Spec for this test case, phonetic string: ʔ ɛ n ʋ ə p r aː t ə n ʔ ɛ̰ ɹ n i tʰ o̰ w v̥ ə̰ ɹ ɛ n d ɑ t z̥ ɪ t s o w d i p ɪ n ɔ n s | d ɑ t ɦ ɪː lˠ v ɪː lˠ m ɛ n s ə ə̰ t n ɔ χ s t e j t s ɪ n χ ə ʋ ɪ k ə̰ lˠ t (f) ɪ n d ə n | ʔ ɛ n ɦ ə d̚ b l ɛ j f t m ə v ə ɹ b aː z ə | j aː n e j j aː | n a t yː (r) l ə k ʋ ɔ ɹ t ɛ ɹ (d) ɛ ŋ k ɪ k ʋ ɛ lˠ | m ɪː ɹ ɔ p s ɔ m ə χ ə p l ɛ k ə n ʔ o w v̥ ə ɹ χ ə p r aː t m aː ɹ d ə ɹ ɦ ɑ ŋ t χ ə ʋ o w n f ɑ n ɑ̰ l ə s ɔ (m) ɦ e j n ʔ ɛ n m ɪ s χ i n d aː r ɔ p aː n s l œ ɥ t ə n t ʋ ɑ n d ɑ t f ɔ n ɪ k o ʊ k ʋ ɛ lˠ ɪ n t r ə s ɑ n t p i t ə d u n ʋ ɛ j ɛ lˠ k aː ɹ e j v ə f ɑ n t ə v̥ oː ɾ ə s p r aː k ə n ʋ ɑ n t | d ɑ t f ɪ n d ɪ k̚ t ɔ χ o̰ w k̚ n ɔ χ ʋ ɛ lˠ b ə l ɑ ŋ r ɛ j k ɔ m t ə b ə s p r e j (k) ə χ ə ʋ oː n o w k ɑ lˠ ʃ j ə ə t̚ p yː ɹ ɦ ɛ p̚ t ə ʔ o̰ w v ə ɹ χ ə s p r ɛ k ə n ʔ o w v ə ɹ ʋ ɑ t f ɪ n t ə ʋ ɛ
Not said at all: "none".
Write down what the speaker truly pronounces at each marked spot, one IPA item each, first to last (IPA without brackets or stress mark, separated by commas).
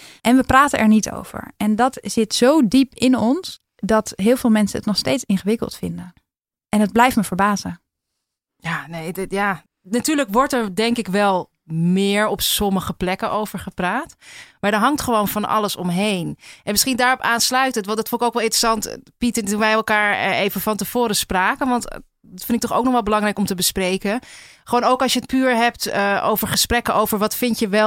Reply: f, ɹ, d, m, k